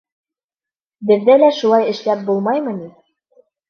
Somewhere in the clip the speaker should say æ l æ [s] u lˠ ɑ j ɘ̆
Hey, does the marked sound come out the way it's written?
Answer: no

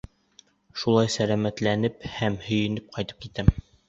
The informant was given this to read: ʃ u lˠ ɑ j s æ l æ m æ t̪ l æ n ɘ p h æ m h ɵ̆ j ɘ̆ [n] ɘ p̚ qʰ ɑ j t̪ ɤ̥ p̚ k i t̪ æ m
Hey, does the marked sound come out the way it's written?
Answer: yes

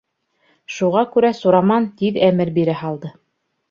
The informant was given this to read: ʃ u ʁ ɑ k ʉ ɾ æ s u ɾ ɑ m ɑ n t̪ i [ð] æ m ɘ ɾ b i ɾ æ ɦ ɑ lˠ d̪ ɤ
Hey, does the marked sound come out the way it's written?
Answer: yes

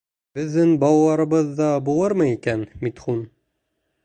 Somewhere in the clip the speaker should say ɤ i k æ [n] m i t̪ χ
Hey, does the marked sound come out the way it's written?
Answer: yes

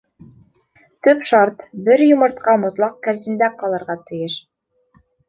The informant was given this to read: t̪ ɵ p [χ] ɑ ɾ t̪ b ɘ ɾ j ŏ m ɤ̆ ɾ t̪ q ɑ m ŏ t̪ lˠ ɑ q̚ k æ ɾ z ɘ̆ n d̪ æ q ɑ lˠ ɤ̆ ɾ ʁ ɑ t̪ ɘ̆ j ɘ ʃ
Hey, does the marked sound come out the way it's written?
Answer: no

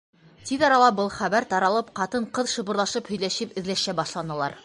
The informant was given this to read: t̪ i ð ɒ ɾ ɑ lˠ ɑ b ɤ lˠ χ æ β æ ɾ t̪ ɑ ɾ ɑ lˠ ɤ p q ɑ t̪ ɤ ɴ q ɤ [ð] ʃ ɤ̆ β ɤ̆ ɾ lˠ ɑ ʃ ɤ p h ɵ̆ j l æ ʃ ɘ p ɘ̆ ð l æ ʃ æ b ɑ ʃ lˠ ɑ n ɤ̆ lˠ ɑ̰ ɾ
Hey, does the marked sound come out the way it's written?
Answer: yes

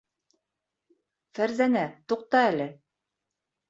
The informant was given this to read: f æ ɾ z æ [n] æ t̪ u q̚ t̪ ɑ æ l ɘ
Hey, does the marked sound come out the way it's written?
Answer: yes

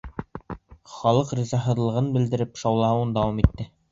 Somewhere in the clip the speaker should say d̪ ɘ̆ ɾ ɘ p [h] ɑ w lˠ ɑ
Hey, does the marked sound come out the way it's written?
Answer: no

